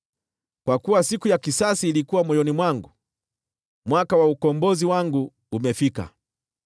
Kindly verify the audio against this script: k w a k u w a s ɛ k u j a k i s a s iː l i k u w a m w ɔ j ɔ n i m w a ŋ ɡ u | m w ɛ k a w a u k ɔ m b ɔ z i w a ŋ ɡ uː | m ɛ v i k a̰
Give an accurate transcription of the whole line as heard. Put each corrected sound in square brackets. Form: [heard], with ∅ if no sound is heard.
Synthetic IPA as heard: k w a k u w a s [i] k u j a k i s a s iː l i k u w a m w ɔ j ɔ n i m w a ŋ ɡ u | m w [a] k a w a u k ɔ m b ɔ z i w a ŋ ɡ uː | m ɛ [f] i k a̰